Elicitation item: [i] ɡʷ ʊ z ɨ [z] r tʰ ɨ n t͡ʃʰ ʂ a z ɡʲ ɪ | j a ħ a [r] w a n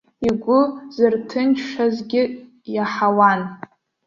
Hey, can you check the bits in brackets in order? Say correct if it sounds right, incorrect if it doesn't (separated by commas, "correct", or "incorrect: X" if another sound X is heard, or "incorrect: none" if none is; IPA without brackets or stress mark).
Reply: correct, incorrect: none, incorrect: none